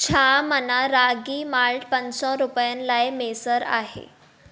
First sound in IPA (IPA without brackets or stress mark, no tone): t͡ɕʰ